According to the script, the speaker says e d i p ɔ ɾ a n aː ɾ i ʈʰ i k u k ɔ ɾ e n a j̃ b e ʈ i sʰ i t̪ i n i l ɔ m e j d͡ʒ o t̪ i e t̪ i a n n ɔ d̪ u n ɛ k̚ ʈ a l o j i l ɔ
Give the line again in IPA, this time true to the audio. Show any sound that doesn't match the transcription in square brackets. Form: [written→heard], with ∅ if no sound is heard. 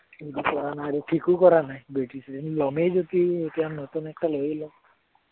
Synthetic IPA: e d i p ɔ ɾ a n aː ɾ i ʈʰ i k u k ɔ ɾ [e→a] n a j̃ b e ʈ i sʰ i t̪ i n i l ɔ m e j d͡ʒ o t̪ i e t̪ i a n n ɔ [d̪→t̪] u n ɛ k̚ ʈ a l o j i l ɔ